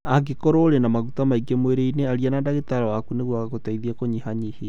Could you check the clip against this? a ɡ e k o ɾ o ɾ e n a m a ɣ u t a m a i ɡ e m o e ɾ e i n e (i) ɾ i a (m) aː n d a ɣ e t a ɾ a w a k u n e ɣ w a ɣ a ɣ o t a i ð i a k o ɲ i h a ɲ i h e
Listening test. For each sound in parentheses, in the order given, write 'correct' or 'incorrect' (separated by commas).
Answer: incorrect, incorrect